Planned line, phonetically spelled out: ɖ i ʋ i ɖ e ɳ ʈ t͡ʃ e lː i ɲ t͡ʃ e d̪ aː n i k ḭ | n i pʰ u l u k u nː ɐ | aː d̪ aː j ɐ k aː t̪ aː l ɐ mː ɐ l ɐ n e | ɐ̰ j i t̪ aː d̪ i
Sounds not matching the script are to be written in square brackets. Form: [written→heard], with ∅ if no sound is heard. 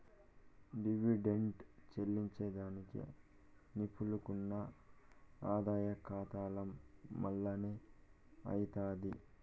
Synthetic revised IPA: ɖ i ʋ i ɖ e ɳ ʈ t͡ʃ e lː i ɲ t͡ʃ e d̪ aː n i k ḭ | n i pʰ u l u k u nː ɐ | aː d̪ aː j ɐ k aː t̪ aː l ɐ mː ɐ [l→lː] ɐ n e | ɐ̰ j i t̪ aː d̪ i